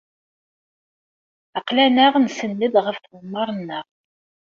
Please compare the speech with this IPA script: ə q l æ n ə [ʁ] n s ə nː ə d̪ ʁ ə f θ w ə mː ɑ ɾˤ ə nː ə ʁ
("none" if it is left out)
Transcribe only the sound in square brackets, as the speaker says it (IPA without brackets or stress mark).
ʁ